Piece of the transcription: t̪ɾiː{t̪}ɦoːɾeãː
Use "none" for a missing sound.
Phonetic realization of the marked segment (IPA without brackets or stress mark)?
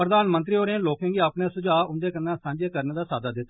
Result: none